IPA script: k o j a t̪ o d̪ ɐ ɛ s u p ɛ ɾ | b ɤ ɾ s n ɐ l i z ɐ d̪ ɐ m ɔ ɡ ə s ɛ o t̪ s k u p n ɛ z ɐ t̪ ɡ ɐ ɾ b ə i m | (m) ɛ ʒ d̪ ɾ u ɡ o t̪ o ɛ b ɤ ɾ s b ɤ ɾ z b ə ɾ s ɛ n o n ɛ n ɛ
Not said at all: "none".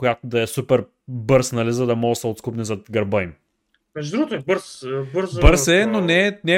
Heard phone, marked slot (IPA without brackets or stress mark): m